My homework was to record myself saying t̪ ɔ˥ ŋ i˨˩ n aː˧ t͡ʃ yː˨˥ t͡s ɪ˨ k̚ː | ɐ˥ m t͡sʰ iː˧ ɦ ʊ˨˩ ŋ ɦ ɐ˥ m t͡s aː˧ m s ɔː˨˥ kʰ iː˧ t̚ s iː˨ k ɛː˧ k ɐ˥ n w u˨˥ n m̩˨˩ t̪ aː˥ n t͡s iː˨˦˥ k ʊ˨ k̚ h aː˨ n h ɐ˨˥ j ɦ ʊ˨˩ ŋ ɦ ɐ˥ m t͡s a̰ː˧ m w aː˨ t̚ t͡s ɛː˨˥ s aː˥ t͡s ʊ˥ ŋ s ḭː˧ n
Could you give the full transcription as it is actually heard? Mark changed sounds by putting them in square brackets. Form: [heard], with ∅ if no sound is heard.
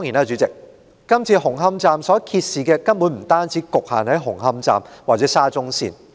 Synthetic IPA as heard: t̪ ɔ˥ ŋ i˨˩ n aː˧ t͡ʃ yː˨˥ t͡s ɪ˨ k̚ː | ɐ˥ m t͡sʰ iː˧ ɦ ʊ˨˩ ŋ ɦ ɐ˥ m t͡s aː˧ m s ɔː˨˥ kʰ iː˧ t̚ s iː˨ k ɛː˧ k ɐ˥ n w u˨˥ n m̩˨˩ t̪ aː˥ n t͡s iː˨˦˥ k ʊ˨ k̚ h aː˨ n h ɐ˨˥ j ɦ ʊ˨˩ ŋ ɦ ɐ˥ m t͡s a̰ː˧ m w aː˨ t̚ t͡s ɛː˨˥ s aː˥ t͡s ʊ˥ ŋ s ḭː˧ n